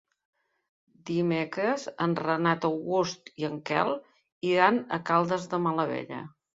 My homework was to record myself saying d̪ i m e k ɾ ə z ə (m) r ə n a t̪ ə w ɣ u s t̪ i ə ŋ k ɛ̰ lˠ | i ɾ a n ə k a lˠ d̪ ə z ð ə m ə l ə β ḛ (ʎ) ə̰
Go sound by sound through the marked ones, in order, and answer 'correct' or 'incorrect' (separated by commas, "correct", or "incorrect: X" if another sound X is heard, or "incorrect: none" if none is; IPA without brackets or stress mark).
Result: incorrect: n, correct